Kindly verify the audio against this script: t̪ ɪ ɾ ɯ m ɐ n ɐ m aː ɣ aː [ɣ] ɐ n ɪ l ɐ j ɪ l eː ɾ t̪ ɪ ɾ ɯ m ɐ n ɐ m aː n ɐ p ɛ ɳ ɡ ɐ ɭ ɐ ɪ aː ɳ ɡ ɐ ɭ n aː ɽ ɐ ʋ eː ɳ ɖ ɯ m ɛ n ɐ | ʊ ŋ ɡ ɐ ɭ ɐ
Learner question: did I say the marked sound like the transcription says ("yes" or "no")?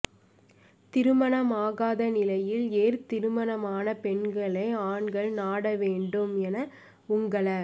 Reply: no